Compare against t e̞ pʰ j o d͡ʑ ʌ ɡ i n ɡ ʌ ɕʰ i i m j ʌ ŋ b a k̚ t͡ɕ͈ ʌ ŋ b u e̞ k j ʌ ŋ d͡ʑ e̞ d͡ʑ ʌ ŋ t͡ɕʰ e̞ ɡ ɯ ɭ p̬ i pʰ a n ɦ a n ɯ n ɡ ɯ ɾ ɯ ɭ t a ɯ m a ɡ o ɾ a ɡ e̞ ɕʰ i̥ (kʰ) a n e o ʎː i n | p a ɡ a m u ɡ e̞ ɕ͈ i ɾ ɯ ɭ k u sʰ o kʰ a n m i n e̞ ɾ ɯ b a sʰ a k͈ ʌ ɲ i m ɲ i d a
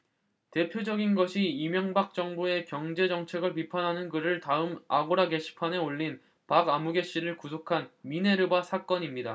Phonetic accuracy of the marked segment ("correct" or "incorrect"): incorrect